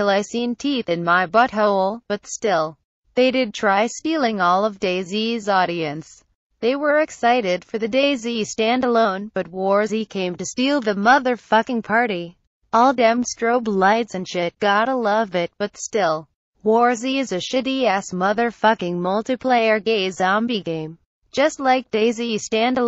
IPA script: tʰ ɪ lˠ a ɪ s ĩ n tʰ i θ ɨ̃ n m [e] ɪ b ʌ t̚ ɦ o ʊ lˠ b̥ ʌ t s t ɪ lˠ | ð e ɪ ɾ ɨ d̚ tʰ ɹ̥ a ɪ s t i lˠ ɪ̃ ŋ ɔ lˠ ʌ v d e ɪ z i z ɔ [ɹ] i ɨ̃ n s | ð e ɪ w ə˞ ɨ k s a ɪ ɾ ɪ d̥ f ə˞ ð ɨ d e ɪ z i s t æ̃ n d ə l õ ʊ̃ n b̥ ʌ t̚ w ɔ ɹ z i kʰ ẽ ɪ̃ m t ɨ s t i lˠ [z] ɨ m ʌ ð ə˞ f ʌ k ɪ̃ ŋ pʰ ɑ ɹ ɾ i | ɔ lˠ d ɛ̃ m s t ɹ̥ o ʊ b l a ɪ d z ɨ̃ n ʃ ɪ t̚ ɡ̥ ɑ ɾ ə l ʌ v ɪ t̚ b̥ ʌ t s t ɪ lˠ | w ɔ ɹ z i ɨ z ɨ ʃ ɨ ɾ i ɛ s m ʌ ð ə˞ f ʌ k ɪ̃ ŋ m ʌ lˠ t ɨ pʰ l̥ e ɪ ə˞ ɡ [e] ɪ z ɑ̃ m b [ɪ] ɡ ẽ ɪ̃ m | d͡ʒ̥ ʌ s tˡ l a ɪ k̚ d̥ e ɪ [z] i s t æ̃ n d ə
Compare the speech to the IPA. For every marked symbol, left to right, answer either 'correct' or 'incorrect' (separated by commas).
incorrect, incorrect, incorrect, correct, incorrect, correct